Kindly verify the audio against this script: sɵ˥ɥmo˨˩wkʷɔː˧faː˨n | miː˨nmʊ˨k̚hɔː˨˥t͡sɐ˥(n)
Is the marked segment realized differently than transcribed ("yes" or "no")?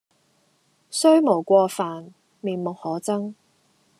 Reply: yes